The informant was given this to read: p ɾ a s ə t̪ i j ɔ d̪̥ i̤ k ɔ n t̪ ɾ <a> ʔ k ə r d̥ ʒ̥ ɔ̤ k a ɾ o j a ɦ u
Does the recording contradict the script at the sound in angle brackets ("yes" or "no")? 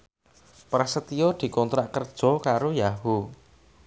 no